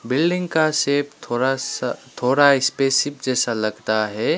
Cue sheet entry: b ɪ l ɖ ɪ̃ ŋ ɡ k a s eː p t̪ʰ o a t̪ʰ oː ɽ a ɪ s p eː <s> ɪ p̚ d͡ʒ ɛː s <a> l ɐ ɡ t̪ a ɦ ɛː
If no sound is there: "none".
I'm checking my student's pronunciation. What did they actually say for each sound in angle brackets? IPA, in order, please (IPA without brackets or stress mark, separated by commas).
s, a